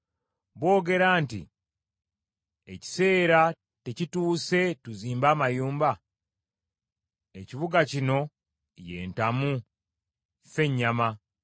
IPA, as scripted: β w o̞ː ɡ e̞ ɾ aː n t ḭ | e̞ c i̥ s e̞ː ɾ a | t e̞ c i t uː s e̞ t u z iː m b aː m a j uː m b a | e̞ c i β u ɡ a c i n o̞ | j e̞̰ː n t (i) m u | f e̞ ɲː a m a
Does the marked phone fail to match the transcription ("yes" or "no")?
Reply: yes